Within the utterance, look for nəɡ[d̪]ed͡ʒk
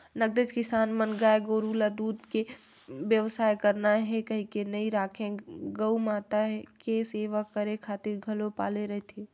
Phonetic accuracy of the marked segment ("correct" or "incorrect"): correct